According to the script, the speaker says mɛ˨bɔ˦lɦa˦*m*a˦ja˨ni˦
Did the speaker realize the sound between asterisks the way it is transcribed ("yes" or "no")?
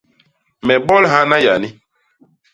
no